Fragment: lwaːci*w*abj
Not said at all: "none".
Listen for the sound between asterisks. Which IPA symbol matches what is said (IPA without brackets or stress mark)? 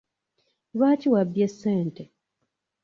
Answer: w